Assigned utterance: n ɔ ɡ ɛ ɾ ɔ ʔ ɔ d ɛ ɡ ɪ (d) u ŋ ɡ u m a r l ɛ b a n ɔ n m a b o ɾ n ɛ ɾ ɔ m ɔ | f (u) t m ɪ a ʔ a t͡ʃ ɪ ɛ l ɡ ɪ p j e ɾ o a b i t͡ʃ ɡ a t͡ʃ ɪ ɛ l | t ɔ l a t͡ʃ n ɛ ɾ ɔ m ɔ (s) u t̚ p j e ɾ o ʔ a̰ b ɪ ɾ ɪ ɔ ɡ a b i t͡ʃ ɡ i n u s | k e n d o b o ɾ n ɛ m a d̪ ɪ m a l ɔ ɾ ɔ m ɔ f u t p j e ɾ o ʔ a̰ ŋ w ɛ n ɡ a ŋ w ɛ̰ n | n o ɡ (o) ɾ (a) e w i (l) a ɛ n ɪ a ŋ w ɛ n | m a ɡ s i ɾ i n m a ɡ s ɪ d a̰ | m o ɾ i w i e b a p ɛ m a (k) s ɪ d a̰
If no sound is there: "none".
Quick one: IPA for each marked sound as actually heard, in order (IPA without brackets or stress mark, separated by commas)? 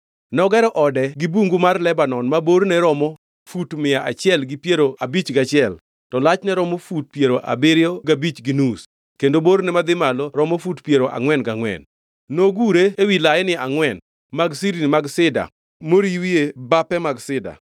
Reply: b, u, f, u, e, l, ɡ